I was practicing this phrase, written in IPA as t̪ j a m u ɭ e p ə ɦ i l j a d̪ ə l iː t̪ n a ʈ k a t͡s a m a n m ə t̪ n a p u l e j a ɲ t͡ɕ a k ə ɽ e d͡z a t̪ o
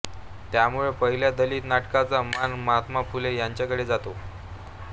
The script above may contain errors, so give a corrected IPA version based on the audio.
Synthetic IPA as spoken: t̪ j a m u ɭ e p ə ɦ i l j a d̪ ə l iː t̪ n a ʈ k a t͡s a m a n m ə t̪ m a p u l e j a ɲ t͡ɕ a k ə ɽ e d͡z a t̪ o